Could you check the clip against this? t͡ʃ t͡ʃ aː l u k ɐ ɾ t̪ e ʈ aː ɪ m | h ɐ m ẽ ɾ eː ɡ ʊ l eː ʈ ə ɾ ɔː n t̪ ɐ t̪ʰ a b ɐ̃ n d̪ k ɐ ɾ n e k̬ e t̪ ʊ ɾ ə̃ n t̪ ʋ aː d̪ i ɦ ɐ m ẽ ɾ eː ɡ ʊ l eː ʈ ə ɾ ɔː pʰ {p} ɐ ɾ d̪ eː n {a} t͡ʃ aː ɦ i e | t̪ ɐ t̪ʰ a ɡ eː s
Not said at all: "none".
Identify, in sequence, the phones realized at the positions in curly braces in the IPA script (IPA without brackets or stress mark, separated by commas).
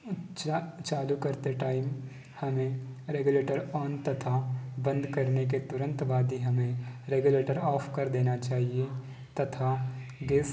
k, a